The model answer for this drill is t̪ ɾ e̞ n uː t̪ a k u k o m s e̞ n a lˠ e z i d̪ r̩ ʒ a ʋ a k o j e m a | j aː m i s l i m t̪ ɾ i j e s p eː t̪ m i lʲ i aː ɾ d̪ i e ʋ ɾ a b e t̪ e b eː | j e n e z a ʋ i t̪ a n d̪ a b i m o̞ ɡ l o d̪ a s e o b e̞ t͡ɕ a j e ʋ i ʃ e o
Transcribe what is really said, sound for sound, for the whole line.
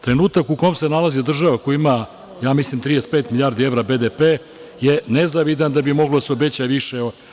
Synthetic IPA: t̪ ɾ e̞ n uː t̪ a k u k o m s e̞ n a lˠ a z i d̪ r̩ ʒ a ʋ a k o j i m a | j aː m i s l i m t̪ ɾ i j e s p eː t̪ m i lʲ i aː ɾ d̪ i e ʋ ɾ a b e d̪ e p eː | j e n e z a ʋ i d̪ a n d̪ a b i m o̞ ɡ l o d̪ a s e o b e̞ t͡ɕ a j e ʋ i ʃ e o